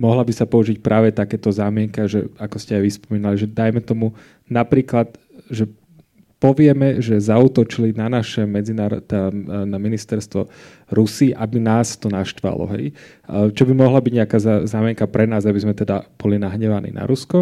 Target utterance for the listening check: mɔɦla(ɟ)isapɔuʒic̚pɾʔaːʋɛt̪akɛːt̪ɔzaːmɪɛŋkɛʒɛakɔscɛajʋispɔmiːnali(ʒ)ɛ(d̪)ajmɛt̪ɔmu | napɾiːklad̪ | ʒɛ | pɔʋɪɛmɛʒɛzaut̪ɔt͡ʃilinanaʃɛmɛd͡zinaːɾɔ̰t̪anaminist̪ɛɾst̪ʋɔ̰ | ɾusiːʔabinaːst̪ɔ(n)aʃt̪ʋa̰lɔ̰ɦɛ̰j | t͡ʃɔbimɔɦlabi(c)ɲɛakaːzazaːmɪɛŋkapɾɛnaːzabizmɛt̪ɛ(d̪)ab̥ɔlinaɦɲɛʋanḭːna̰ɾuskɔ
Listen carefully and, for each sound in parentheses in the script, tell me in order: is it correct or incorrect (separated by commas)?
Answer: incorrect, correct, correct, correct, incorrect, correct